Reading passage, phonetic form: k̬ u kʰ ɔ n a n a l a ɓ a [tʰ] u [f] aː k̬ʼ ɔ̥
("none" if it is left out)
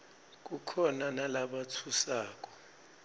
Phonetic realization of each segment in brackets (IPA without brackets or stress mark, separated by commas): tʰ, s